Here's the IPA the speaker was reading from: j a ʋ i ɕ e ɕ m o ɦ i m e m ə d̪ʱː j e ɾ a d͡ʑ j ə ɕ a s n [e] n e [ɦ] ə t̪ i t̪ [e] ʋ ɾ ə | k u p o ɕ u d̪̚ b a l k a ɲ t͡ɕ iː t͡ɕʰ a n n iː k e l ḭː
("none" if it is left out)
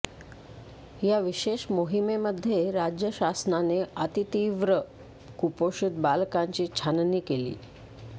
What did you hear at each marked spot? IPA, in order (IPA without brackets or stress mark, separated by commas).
a, none, i